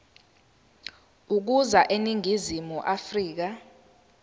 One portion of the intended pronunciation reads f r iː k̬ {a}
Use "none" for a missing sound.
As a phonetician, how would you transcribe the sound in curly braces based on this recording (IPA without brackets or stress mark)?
a